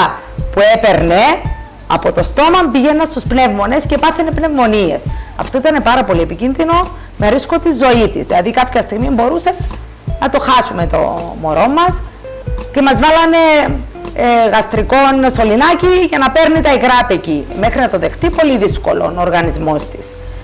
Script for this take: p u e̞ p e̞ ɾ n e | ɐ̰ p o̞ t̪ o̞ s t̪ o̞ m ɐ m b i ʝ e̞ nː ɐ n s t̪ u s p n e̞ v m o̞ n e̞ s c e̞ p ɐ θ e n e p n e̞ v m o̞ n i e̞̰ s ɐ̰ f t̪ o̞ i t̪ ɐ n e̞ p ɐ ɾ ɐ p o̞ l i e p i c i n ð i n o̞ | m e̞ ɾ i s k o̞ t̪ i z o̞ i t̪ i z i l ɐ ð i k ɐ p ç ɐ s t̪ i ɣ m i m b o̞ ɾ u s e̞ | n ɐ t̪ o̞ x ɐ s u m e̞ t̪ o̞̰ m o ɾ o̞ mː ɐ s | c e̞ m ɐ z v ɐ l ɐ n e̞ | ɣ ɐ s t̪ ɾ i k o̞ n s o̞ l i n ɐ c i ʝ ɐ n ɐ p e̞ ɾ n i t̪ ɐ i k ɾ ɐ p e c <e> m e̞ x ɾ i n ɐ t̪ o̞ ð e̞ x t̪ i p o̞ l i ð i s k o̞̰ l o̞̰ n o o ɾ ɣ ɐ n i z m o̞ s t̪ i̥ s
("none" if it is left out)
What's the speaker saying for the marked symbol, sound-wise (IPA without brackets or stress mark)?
i